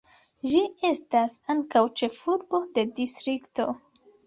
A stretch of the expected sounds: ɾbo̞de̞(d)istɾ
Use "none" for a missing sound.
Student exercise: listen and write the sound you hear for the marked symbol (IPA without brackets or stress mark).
d